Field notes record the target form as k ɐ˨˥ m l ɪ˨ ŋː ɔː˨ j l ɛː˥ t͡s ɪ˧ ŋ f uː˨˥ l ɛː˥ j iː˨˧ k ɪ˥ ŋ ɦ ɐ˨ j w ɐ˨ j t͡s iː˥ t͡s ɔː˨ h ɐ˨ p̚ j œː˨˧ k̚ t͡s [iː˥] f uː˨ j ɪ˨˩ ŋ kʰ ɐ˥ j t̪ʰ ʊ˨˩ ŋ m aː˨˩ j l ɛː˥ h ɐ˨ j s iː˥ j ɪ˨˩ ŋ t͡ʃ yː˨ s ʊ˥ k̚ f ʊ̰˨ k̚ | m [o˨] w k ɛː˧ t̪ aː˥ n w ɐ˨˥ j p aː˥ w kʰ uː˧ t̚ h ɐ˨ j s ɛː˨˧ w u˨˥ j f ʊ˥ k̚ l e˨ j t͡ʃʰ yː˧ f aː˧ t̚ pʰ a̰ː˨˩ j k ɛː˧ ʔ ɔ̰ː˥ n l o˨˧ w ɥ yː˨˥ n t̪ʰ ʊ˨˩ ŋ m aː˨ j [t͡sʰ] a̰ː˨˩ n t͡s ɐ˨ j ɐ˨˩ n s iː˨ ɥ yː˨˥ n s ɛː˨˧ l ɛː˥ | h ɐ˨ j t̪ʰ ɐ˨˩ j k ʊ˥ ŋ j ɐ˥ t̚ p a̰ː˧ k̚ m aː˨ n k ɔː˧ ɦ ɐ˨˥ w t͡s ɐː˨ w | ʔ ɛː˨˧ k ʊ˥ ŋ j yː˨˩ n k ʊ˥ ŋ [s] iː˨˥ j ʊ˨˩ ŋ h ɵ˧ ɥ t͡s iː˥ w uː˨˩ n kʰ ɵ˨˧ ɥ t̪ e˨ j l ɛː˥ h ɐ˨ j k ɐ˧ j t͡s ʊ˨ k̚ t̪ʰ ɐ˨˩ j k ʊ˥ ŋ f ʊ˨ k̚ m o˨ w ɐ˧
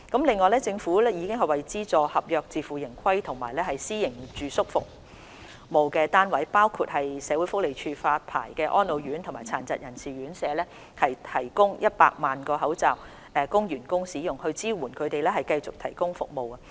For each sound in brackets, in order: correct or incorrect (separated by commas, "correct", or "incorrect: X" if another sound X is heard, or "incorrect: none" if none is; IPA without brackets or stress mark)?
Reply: incorrect: iː˨˧, correct, correct, correct